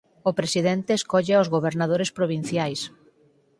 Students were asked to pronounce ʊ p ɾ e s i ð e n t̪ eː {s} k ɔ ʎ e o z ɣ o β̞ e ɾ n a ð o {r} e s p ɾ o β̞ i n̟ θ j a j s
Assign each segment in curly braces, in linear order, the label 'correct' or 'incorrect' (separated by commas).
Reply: correct, incorrect